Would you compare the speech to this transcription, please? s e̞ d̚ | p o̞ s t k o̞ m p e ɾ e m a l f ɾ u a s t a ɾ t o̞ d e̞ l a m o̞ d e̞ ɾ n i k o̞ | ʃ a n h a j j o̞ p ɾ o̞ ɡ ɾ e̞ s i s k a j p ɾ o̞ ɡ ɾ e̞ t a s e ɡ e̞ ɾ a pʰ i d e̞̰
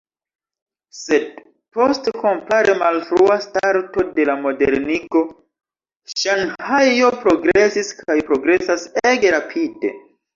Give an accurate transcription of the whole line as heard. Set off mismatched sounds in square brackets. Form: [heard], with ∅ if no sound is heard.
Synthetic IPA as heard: s e̞ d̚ | p o̞ s t k o̞ m p [a] ɾ e m a l f ɾ u a s t a ɾ t o̞ d e̞ l a m o̞ d e̞ ɾ n i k o̞ | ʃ a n h a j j o̞ p ɾ o̞ ɡ ɾ e̞ s i s k a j p ɾ o̞ ɡ ɾ e̞ [s] a s e ɡ e̞ ɾ a pʰ i d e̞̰